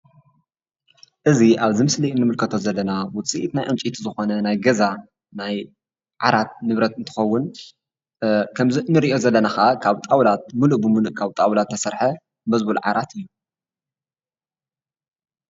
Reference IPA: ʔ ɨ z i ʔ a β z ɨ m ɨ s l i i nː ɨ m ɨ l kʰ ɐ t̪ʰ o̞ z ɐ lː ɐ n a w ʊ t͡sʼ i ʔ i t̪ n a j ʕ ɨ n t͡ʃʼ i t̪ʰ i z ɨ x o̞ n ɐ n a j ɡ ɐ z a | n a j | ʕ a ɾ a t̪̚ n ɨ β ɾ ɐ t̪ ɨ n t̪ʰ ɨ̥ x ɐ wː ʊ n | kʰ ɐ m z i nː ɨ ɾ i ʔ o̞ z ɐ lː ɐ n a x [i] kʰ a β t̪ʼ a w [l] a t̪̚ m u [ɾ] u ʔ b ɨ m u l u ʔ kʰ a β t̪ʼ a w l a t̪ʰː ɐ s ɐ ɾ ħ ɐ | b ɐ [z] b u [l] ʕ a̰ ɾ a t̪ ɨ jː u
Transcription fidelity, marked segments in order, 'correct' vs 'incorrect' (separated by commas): incorrect, correct, incorrect, correct, correct